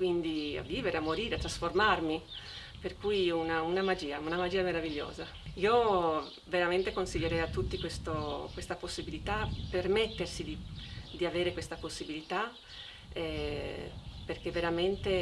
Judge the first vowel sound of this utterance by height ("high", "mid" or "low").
high